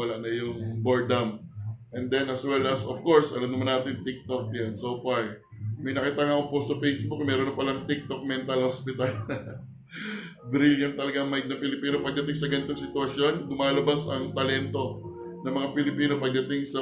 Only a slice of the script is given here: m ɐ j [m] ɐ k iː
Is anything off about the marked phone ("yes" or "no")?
yes